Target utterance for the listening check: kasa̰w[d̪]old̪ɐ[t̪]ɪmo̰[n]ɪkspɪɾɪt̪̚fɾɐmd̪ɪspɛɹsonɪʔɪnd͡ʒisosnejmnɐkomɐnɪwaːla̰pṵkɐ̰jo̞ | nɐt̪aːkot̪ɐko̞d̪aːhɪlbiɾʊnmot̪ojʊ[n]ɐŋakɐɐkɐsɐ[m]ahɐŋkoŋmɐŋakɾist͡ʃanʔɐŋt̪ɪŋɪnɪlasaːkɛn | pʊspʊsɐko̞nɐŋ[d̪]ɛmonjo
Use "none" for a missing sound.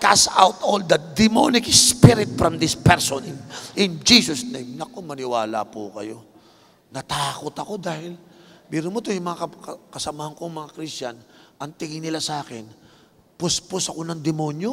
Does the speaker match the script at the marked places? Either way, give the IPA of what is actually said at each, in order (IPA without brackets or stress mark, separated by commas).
t̪, d̪, n, m, m, d̪